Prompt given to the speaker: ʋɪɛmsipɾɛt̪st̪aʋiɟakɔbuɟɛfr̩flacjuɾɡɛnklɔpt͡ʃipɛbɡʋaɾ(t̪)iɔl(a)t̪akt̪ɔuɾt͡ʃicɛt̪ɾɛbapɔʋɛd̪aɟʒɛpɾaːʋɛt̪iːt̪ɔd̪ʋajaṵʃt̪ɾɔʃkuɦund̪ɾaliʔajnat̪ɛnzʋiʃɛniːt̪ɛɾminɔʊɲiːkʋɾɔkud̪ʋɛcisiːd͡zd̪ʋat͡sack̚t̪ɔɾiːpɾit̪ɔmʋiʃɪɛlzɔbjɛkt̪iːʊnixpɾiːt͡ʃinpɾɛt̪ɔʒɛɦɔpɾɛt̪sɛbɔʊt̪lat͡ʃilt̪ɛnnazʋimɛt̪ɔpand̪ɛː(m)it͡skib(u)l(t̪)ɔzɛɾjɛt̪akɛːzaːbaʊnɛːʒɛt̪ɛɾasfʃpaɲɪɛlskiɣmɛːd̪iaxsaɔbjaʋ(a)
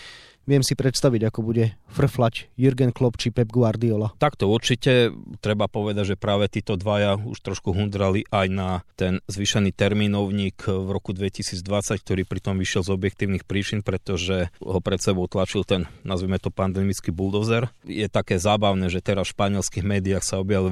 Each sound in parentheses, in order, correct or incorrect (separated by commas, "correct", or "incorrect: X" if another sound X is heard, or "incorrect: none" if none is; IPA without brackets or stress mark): incorrect: d̪, correct, correct, correct, incorrect: d̪, incorrect: i